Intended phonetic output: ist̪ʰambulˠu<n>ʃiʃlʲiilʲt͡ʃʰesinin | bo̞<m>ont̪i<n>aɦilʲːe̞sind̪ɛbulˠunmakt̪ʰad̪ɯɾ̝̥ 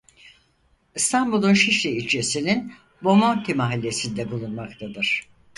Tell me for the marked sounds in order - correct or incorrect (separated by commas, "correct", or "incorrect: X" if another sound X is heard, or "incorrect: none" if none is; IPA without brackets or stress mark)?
correct, correct, incorrect: m